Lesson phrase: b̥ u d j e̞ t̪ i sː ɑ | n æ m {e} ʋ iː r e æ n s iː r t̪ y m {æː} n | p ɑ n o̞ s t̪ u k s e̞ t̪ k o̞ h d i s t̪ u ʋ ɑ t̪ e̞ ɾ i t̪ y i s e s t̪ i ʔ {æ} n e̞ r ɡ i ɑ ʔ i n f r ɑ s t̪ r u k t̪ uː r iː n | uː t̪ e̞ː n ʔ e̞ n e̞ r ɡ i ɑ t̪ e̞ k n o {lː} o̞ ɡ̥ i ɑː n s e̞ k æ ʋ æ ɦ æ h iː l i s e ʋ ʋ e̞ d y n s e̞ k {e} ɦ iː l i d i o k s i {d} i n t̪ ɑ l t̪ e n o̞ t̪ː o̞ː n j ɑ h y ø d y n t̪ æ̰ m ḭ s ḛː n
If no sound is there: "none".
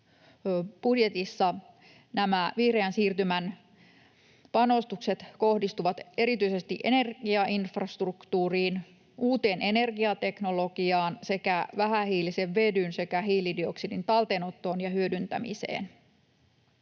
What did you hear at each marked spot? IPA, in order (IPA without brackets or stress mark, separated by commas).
æ, æ, e, l, æ, d